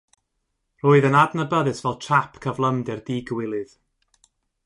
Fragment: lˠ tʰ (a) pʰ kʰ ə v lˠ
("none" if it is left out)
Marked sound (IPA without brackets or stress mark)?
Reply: a